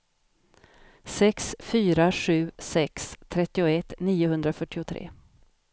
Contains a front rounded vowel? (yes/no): yes